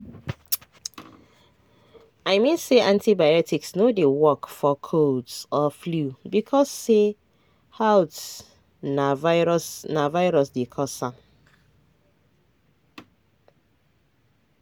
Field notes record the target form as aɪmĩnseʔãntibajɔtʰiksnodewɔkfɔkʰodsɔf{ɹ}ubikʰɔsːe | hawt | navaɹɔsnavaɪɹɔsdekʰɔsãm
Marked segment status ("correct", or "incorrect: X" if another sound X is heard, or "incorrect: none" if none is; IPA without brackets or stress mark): incorrect: l